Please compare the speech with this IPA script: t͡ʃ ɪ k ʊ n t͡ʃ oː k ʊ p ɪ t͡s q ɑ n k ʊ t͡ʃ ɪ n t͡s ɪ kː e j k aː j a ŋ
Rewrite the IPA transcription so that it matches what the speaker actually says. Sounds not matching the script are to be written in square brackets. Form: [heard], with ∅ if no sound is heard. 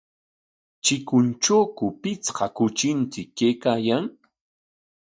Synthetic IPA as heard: t͡ʃ ɪ k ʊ n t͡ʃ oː k ʊ p ɪ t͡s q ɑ [∅] k ʊ t͡ʃ ɪ n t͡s ɪ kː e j k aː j a ŋ